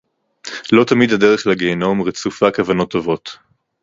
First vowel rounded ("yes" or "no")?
yes